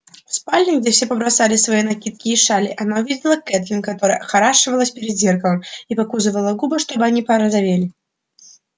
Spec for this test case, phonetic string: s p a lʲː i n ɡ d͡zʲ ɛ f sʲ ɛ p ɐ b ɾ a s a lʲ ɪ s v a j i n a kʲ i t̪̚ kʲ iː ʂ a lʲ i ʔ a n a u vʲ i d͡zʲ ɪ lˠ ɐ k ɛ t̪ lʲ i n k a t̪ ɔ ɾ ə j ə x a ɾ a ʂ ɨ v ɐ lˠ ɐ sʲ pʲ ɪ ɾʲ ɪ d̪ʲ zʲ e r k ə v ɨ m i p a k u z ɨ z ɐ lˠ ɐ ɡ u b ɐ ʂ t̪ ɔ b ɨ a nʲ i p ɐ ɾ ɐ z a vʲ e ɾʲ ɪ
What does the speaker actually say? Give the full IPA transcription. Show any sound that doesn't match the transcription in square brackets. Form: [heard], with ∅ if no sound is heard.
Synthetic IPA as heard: s p a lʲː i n ɡ d͡zʲ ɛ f sʲ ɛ p ɐ b ɾ a s a lʲ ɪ s v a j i n a kʲ i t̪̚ kʲ iː ʂ a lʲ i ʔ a n a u vʲ i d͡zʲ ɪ lˠ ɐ k ɛ t̪ lʲ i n k a t̪ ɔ ɾ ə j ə x a ɾ a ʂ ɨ v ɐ lˠ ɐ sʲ pʲ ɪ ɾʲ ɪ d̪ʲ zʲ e r k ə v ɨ m i p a k u z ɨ [v] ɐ lˠ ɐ ɡ u b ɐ ʂ t̪ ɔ b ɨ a nʲ i p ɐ ɾ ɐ z a vʲ e [lʲ] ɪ